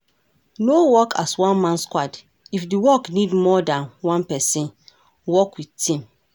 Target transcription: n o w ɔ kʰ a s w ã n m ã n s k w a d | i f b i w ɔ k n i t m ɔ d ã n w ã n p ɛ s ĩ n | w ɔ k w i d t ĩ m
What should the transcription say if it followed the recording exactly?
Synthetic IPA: n o w ɔ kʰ a s w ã n m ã n s k w a d | i f d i w ɔ k n i d m ɔ d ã n w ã n p ɛ s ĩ n | w ɔ k w i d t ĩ m